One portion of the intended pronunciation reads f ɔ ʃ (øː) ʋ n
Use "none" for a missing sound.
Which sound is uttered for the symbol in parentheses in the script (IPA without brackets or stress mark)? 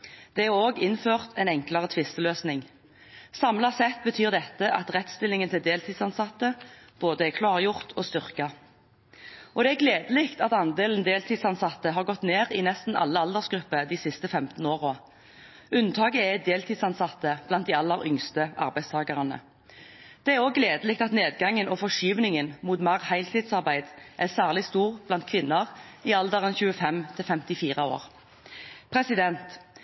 yː